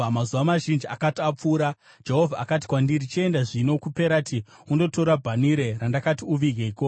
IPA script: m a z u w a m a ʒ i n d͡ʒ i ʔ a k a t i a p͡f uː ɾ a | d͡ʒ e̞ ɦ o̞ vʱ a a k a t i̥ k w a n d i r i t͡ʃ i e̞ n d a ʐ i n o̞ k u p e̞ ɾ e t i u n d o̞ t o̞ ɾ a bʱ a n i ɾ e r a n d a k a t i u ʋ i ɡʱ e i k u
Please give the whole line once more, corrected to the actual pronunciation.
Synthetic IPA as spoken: m a z u ʋ a m a ʒ i n d͡ʒ i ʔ a k a t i a p͡f uː ɾ a | d͡ʒ e̞ ɦ o̞ vʱ a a k a t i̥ k w a n d i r i t͡ʃ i e̞ n d a ʐ i n o̞ k u p e̞ ɾ a t i u n d o̞ t o̞ ɾ a bʱ a n i ɾ e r a n d a k a t i u ʋ i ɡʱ e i k o